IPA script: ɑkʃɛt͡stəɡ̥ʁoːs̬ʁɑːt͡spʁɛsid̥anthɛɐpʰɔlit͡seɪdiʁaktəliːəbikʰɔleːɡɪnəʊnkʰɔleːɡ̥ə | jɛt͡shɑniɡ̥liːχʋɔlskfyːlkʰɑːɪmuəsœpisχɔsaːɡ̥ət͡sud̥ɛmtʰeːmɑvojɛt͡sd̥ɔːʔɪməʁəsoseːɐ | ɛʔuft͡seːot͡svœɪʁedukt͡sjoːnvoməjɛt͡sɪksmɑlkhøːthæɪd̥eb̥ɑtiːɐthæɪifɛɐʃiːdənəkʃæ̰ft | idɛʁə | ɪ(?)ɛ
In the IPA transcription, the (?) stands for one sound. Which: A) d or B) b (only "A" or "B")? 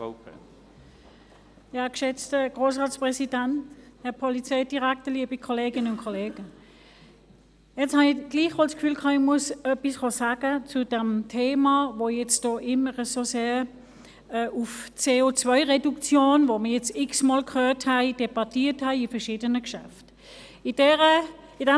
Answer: A